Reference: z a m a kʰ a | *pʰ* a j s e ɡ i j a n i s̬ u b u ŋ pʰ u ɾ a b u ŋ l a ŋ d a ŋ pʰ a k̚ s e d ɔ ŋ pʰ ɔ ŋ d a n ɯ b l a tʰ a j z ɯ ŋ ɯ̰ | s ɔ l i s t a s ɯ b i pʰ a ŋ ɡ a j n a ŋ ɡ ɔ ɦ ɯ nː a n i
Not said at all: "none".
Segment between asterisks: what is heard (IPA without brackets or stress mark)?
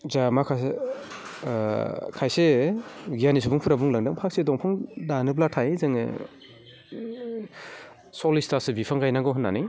kʰ